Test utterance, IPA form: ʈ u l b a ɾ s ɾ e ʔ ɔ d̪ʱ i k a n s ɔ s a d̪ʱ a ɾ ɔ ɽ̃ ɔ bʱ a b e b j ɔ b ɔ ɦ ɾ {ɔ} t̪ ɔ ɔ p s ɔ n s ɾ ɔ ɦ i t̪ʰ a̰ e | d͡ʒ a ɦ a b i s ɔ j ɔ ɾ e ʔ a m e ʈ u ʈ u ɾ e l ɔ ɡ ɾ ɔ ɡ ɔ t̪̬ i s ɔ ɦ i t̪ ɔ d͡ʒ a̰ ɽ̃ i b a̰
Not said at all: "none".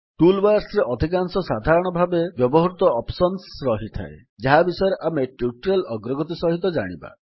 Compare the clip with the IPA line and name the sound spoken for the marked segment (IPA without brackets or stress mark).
u